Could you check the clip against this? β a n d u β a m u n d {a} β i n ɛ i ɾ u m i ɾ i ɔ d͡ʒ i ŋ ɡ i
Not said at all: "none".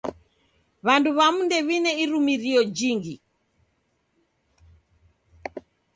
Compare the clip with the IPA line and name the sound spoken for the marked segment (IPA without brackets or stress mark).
ɛ